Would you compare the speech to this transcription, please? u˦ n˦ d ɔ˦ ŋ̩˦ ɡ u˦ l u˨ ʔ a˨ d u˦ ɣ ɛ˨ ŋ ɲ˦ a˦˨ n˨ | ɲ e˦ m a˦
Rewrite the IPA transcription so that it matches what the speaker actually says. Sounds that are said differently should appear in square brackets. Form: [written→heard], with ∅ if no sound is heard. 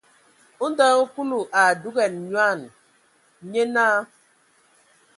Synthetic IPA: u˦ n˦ d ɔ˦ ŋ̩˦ [ɡ→k] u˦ l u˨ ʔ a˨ d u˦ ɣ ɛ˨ [ŋ→n] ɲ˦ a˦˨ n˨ | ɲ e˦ [m→n] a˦